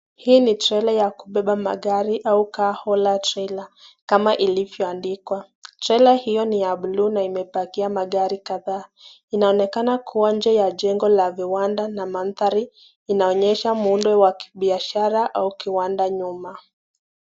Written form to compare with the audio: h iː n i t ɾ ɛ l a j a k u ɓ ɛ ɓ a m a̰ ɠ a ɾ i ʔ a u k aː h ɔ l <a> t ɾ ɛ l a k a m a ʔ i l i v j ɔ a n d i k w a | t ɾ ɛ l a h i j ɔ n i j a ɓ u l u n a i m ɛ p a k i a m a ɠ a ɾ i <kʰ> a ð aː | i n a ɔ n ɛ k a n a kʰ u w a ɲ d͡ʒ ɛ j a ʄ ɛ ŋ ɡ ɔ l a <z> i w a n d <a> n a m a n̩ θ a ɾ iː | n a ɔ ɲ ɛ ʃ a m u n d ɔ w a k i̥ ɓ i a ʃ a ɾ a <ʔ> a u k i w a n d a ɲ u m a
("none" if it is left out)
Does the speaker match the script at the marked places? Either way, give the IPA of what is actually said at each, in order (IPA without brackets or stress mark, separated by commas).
a, k, v, a, ʔ